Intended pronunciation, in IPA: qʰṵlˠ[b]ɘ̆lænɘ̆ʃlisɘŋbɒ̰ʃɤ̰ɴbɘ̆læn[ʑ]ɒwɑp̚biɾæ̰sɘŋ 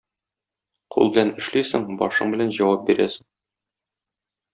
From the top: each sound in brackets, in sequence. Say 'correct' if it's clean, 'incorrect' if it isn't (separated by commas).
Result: correct, correct